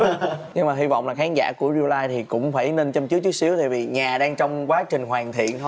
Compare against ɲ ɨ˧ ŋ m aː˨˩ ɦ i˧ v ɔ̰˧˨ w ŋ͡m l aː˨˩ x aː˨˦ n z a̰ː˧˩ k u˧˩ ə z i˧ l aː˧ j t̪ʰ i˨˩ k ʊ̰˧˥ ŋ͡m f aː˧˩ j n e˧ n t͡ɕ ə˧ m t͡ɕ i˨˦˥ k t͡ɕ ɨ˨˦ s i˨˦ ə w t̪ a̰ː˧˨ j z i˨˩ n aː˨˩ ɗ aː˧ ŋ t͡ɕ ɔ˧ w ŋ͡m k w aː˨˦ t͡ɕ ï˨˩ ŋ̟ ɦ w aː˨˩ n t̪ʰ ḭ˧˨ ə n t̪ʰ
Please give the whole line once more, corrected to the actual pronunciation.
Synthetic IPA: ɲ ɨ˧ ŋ m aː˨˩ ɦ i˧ v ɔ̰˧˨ w ŋ͡m l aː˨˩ x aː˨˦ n z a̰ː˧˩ k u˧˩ ə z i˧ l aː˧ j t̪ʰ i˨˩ k ʊ̰˧˥ ŋ͡m f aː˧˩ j n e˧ n t͡ɕ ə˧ m t͡ɕ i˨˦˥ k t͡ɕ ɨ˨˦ s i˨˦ ə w t̪ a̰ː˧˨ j v i˨˩ ɲ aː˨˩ ɗ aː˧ ŋ t͡ɕ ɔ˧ w ŋ͡m k w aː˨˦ t͡ɕ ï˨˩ ŋ̟ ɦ w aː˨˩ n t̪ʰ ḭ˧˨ ə n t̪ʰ